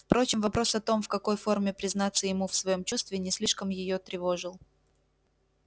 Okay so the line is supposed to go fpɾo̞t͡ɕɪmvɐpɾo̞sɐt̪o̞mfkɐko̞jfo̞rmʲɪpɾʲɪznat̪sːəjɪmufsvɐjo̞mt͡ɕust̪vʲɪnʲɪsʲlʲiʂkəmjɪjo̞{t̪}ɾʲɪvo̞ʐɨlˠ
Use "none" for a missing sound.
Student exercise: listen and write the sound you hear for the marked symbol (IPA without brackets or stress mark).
t̪